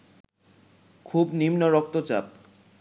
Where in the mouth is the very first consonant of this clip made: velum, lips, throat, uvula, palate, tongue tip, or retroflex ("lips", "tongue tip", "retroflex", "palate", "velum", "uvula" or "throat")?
velum